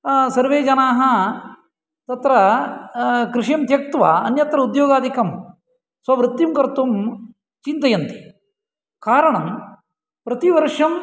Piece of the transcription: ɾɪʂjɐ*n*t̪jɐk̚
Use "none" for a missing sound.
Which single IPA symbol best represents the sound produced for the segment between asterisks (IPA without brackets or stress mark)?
m